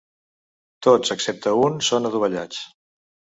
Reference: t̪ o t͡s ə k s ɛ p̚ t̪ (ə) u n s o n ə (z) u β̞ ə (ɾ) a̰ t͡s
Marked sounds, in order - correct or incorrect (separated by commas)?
correct, incorrect, incorrect